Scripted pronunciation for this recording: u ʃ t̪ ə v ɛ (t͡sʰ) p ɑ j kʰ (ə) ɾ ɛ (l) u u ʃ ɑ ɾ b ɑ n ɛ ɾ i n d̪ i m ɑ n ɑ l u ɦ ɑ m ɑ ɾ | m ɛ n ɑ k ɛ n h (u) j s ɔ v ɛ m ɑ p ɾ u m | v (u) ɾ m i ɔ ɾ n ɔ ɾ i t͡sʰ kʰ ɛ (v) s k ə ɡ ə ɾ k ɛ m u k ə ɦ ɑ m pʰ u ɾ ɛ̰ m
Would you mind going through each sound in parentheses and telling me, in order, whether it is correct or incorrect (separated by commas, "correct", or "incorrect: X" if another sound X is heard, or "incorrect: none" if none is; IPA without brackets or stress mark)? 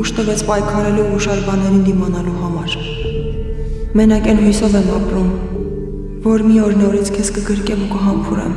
correct, incorrect: ɑ, correct, correct, incorrect: ɔ, incorrect: none